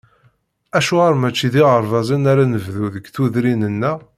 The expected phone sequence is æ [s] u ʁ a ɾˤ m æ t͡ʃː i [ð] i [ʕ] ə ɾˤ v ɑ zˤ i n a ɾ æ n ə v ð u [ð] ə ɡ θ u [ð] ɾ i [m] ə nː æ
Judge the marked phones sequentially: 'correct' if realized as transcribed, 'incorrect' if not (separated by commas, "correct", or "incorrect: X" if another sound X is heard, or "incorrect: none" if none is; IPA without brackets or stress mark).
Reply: incorrect: ʃ, correct, incorrect: ʁ, correct, correct, incorrect: n